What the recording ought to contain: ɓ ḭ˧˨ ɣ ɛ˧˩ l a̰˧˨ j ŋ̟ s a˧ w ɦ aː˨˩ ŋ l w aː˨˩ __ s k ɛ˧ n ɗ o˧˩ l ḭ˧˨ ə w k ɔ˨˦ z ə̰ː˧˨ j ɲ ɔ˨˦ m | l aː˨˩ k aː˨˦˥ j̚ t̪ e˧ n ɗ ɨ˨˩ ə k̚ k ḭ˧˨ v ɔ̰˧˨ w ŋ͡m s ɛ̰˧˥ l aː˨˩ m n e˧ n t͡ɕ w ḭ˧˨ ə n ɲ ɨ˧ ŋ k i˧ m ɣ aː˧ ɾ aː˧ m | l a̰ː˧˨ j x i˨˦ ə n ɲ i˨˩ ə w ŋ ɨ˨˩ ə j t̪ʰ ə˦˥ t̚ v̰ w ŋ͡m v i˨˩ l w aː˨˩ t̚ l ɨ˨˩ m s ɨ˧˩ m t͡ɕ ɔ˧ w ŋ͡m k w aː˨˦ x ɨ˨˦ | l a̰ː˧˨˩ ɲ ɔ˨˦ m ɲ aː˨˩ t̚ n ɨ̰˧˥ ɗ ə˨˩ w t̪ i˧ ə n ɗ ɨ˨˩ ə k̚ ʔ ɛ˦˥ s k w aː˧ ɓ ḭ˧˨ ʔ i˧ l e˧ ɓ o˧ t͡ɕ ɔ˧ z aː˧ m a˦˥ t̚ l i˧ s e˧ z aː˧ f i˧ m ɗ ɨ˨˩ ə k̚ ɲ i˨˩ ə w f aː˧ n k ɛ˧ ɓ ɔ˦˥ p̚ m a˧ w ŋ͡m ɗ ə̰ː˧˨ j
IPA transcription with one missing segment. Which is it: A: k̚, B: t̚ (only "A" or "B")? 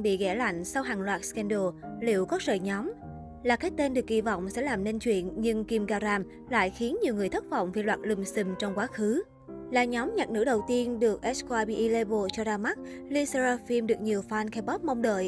B